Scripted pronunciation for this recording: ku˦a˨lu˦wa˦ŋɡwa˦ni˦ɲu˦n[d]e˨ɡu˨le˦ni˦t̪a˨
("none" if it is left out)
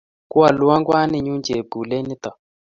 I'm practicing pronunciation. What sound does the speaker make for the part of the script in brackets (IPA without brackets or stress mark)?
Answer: d͡ʒ